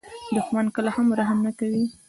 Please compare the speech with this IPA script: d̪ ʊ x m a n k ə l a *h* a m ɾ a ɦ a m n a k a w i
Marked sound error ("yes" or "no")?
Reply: no